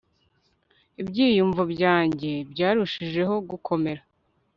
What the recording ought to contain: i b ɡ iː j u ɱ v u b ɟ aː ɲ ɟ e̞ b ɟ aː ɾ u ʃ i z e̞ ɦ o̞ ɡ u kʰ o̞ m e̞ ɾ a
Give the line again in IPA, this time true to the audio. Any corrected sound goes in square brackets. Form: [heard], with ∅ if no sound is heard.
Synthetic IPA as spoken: i b [ɟ] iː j u ɱ v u b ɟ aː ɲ ɟ e̞ b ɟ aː ɾ u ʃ i [ʒ] e̞ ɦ o̞ ɡ u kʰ o̞ m e̞ ɾ a